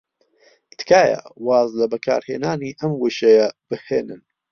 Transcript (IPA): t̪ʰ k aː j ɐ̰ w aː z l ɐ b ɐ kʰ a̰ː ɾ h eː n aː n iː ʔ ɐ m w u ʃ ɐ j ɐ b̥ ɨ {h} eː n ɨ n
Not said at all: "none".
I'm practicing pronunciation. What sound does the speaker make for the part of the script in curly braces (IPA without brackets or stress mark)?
h